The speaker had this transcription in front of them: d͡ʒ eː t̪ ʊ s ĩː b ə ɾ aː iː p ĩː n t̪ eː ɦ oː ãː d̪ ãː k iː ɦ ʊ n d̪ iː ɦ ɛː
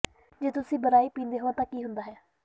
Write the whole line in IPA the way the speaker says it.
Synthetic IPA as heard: d͡ʒ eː t̪ ʊ s ĩː b ə ɾ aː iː p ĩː n d̪ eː ɦ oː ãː t̪ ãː k iː ɦ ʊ n d̪ aː ɦ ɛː